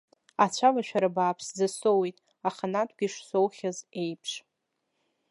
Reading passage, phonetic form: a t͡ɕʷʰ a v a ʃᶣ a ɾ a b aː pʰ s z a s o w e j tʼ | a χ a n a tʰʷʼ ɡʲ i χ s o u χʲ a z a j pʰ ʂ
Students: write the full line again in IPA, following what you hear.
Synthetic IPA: a t͡ɕʷʰ a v a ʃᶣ a ɾ a b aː pʰ s z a s o w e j tʼ | a χ a n a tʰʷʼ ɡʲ i ʂ s o w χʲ a z e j pʰ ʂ